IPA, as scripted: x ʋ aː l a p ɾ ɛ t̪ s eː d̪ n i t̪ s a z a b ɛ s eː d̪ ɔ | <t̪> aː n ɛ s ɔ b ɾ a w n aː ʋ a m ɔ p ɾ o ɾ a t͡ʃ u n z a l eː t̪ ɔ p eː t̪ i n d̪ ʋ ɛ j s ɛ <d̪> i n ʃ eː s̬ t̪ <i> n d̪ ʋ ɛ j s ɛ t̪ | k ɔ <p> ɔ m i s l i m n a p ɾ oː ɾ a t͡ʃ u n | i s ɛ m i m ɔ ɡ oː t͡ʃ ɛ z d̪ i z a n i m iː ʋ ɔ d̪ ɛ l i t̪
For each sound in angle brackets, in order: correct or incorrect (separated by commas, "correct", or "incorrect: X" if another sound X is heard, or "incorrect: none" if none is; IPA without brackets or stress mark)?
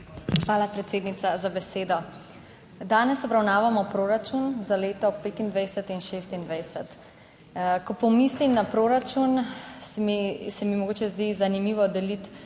incorrect: d̪, incorrect: t̪, correct, correct